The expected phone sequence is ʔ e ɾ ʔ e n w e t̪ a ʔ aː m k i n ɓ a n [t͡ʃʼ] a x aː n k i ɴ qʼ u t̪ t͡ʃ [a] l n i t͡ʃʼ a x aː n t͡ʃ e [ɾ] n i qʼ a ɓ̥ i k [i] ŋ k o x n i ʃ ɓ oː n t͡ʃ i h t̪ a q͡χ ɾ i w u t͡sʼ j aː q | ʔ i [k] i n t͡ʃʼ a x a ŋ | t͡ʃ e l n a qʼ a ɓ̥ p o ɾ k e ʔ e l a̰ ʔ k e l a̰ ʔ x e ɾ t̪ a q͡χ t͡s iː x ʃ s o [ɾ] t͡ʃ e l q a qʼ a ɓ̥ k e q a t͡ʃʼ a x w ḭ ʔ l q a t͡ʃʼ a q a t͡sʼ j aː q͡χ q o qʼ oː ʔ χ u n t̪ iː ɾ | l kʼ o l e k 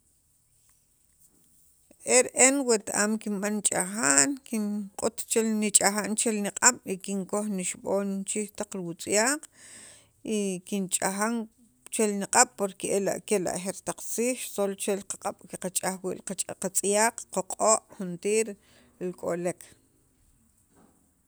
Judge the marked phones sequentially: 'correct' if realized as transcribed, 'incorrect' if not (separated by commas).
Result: correct, incorrect, incorrect, correct, correct, incorrect